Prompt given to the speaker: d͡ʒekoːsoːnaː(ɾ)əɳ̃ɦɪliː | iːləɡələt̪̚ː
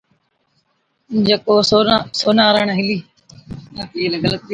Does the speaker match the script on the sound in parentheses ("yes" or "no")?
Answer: yes